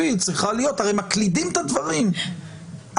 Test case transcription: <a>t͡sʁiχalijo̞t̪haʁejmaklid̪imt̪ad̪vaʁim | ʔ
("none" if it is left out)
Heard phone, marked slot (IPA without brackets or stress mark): i